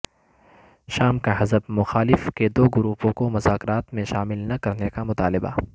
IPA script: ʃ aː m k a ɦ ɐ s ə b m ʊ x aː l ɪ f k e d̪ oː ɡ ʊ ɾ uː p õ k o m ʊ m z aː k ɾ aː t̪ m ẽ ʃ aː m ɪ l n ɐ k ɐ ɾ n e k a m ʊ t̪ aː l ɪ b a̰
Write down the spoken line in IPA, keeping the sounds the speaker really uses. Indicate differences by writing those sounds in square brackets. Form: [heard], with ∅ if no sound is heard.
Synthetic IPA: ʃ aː m k a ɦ ɐ [z] ə b m ʊ x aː l ɪ f k e d̪ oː ɡ ʊ ɾ uː p õ k o m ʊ [∅] z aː k ɾ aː t̪ m ẽ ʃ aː m ɪ l n ɐ k ɐ ɾ n e k a m ʊ t̪ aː l ɪ b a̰